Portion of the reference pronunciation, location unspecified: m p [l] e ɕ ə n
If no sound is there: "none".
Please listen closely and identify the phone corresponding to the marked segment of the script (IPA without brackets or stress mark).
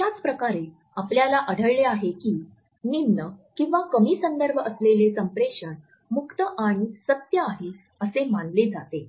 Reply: ɾ